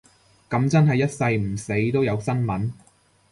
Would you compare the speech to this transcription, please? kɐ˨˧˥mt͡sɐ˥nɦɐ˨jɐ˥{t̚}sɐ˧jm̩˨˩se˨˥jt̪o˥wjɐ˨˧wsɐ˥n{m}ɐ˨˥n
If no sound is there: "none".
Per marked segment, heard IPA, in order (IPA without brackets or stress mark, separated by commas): t̚, m